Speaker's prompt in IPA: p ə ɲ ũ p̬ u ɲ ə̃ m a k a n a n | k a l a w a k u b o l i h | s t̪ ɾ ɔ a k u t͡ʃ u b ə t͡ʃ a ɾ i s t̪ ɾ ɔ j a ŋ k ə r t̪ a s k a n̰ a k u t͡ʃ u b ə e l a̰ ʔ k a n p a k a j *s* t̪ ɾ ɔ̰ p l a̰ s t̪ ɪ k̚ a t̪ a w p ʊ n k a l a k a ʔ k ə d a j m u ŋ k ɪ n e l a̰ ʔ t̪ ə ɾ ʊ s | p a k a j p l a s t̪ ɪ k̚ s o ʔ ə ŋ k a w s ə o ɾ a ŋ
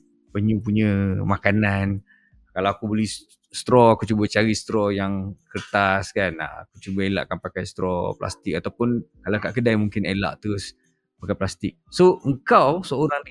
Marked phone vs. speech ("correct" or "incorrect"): correct